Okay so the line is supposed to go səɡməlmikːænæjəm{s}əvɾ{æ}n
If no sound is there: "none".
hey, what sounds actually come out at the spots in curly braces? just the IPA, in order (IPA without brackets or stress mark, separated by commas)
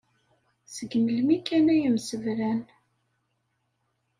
s, æ